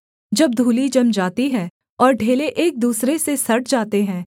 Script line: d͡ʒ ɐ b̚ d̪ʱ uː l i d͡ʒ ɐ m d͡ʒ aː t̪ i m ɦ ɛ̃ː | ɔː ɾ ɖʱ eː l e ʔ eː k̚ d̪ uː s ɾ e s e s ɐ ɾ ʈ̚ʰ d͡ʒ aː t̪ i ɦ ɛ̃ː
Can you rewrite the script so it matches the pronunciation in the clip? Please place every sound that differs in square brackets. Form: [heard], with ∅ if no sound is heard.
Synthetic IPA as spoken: d͡ʒ ɐ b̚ d̪ʱ uː l i d͡ʒ ɐ m d͡ʒ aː t̪ i [∅] ɦ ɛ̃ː | ɔː ɾ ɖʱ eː l e ʔ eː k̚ d̪ uː s ɾ e s e s ɐ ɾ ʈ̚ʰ d͡ʒ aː t̪ [e] ɦ ɛ̃ː